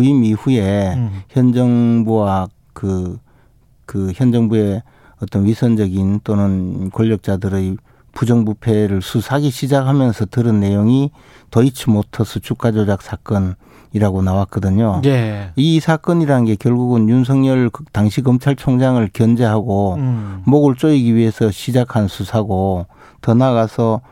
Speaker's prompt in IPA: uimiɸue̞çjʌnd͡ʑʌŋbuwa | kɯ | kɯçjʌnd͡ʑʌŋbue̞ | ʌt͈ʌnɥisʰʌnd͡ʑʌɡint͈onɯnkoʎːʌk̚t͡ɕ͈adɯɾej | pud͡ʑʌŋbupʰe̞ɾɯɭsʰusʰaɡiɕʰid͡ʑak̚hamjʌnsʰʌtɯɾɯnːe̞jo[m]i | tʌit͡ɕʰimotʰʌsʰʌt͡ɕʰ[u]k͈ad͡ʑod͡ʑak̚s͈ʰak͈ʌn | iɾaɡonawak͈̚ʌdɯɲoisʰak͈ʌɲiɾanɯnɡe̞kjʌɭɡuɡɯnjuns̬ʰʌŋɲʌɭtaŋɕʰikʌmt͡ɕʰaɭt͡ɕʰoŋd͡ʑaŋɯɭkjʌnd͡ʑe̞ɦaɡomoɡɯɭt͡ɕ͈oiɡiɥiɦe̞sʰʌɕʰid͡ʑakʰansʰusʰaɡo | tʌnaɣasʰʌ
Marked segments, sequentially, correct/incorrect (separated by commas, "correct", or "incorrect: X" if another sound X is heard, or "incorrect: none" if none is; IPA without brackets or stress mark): incorrect: ŋ, correct